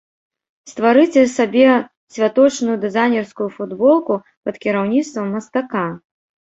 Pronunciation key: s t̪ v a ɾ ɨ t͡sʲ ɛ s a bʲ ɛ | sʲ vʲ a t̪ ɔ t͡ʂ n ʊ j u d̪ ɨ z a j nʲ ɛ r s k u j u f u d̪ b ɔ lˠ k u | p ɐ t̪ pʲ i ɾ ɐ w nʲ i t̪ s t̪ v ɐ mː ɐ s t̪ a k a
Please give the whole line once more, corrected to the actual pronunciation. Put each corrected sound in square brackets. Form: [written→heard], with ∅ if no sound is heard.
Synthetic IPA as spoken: s t̪ v a ɾ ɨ t͡sʲ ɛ s a bʲ ɛ | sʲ vʲ a t̪ ɔ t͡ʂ n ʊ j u d̪ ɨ z a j nʲ ɛ r s k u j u f u d̪ b ɔ lˠ k u | p ɐ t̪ [pʲ→kʲ] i ɾ [ɐ→a] w nʲ i t̪ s t̪ v ɐ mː ɐ s t̪ a k a